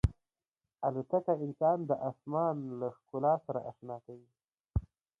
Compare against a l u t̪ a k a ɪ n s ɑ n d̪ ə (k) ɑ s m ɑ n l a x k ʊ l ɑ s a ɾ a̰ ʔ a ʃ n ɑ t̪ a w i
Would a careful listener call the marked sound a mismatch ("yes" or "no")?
yes